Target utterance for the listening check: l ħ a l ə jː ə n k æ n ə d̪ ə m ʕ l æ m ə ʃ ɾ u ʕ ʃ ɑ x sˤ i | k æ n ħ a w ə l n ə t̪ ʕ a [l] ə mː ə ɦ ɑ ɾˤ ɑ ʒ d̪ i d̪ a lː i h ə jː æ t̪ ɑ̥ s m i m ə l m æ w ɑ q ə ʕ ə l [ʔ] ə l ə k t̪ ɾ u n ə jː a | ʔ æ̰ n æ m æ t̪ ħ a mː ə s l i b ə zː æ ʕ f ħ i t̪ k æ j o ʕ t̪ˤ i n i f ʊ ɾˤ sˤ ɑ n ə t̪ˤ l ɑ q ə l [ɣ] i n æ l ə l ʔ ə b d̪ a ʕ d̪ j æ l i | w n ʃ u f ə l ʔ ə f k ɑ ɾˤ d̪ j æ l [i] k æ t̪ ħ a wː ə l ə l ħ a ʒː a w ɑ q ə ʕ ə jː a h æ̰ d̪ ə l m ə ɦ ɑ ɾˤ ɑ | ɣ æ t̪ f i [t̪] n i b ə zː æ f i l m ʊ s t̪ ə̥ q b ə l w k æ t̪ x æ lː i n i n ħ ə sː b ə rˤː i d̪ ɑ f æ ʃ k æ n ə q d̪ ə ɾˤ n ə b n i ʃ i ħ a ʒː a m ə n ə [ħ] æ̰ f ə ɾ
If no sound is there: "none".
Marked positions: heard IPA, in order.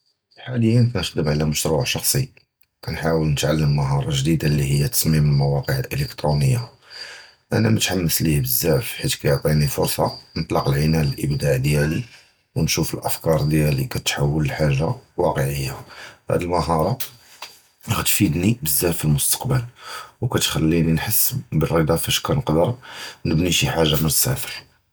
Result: lː, ʔ, ʕ, i, d̪, s

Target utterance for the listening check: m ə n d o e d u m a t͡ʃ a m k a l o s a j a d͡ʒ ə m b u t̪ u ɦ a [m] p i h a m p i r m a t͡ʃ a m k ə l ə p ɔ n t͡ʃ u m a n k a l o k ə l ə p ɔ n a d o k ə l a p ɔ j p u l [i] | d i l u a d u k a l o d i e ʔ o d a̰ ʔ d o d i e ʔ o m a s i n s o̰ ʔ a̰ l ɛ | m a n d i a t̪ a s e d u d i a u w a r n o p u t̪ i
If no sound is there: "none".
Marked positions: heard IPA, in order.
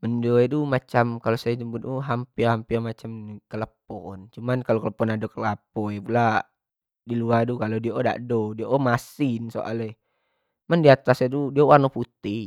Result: m, a

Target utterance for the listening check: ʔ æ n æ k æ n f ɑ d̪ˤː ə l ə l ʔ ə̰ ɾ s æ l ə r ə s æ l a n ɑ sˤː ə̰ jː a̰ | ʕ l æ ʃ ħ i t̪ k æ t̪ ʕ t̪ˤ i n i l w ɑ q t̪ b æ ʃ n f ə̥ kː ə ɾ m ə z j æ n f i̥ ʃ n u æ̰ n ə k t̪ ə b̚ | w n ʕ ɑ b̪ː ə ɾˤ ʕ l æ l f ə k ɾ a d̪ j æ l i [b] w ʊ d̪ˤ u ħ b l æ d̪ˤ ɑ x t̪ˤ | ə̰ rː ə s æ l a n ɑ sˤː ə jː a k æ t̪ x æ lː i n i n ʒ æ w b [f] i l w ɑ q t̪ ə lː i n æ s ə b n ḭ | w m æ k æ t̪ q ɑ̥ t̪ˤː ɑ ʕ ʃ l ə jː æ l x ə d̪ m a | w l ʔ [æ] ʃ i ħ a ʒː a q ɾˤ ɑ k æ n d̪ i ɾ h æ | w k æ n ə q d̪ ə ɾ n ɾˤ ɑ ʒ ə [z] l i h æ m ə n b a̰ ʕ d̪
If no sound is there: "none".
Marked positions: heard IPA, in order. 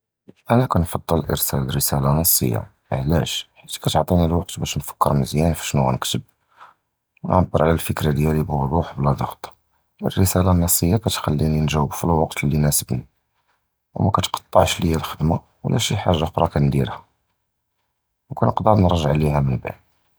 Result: b, f, æ, ʕ

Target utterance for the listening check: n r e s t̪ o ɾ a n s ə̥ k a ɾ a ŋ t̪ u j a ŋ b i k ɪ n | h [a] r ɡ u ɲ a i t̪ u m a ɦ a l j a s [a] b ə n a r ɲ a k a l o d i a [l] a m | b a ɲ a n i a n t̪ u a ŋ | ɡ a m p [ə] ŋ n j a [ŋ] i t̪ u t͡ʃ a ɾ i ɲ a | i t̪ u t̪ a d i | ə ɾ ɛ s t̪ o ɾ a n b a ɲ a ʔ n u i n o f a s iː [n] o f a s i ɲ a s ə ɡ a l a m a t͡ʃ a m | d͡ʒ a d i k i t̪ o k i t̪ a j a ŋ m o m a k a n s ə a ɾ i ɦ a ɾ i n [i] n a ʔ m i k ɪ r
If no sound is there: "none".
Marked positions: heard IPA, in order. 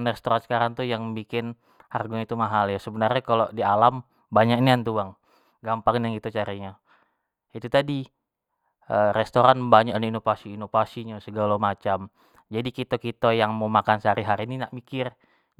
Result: a, ə, l, a, ŋ, n, i

